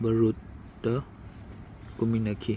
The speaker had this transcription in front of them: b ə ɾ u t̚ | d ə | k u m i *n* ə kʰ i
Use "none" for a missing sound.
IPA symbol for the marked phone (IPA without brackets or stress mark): n